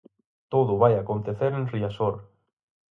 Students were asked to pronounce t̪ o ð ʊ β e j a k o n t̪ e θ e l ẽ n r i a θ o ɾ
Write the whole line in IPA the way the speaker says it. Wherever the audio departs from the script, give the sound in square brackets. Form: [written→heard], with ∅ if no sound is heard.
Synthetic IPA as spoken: t̪ o ð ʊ β [e→a] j a k o n t̪ e θ e [l→ɾ] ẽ n r i a [θ→s] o ɾ